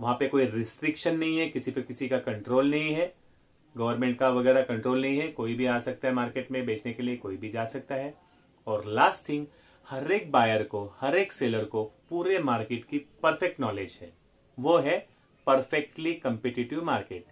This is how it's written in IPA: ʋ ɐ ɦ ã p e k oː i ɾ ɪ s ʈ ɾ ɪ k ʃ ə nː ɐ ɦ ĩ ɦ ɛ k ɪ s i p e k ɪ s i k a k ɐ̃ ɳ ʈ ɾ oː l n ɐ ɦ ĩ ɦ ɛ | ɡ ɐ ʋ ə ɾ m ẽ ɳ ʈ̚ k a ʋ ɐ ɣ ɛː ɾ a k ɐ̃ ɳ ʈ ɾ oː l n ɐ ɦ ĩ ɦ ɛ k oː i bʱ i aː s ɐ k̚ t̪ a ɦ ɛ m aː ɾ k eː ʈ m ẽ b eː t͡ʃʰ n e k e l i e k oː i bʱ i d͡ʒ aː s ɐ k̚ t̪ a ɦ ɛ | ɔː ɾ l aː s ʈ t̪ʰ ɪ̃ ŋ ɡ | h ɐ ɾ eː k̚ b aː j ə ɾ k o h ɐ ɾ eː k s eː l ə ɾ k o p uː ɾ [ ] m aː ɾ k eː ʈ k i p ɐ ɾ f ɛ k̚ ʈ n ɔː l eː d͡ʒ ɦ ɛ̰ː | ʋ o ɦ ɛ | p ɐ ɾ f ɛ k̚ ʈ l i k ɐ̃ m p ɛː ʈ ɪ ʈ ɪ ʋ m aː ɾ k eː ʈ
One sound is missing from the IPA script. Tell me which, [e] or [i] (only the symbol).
e